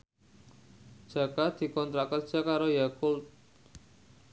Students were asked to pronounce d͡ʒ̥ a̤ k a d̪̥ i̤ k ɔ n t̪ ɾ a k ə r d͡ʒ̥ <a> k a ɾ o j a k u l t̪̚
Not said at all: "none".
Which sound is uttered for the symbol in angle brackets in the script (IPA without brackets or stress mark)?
a